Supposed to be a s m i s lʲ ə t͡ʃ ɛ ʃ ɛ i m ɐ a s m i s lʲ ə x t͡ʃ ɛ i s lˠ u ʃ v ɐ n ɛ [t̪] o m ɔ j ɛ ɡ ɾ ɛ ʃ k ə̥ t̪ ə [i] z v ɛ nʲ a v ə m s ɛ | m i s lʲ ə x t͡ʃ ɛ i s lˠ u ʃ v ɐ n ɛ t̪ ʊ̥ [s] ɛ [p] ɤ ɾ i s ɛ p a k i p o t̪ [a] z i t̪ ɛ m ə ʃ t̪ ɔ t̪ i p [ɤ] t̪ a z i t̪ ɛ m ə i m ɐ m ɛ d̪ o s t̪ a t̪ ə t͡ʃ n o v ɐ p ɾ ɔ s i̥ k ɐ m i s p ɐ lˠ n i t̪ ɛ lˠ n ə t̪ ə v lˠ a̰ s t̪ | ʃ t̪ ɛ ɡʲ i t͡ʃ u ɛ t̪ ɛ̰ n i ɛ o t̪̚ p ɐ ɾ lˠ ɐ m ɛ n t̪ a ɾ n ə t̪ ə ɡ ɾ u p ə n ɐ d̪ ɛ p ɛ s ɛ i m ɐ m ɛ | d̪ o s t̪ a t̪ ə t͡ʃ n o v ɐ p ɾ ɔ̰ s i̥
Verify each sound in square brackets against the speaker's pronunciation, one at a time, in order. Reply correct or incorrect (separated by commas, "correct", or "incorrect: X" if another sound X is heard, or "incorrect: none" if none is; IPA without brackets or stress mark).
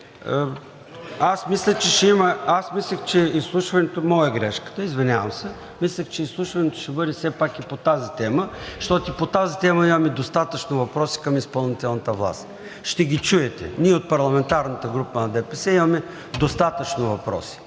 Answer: correct, correct, incorrect: ʃ, incorrect: b, correct, incorrect: o